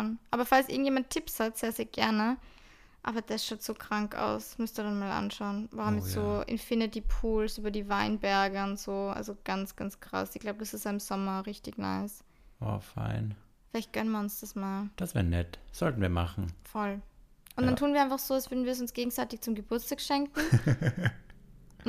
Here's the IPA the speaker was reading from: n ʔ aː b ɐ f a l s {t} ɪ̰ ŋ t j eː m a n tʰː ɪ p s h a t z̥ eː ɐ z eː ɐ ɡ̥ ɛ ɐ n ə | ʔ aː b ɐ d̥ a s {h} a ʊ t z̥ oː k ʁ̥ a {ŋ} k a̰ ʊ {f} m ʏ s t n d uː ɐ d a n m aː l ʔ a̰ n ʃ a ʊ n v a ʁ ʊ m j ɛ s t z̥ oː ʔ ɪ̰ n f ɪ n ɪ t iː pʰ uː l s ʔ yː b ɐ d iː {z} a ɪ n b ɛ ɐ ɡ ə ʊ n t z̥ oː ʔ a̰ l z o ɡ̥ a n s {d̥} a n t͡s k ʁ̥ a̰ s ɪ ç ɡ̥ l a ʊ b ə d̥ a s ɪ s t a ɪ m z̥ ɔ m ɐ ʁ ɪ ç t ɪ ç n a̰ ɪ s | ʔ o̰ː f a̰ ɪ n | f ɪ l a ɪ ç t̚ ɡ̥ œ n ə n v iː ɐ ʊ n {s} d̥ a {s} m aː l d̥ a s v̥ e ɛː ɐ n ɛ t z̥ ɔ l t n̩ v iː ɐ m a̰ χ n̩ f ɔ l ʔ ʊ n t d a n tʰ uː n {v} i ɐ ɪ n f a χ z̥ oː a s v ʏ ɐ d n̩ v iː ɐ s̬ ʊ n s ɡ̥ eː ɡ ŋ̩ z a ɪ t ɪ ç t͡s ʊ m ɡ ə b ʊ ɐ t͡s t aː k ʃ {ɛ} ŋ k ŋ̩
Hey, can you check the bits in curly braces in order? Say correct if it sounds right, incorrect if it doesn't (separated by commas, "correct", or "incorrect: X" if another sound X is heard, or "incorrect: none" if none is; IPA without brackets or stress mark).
incorrect: ʔ, incorrect: ʃ, correct, incorrect: s, incorrect: v, incorrect: ɡ̥, correct, correct, correct, correct